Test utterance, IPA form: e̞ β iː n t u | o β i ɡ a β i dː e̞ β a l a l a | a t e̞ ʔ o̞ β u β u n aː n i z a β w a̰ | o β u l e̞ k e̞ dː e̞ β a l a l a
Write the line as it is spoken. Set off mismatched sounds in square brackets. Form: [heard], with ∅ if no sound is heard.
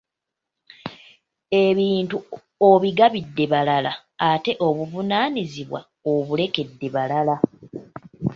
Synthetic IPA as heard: e̞ β iː n t u | o β i ɡ a β i dː e̞ β a l a l a | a t e̞ ʔ o̞ β u [v] u n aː n i z [i] β w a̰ | o β u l e̞ k e̞ dː e̞ β a l a l a